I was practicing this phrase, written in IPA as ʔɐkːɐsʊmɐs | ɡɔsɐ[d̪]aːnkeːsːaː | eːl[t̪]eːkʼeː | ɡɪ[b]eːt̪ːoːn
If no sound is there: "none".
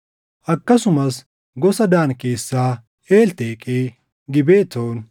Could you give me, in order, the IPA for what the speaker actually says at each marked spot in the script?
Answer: d̪, t̪, b

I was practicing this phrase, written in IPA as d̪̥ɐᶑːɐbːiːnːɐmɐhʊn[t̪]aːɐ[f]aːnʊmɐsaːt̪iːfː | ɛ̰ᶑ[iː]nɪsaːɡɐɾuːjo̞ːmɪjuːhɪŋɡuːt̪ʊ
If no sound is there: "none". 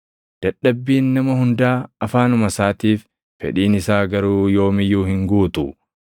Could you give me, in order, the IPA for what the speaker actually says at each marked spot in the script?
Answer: d̪, f, iː

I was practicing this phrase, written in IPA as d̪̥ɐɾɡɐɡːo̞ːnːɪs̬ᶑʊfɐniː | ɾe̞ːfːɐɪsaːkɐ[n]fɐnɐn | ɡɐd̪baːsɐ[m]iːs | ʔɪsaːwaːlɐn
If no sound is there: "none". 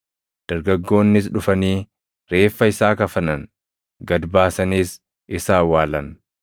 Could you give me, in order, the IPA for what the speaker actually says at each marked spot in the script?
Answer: none, n

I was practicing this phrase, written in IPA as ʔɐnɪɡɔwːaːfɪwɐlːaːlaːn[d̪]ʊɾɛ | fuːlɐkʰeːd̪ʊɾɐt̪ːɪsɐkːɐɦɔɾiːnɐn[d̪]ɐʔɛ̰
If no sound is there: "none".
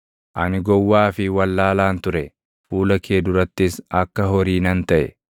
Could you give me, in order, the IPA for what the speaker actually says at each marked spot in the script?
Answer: t̪, t̪

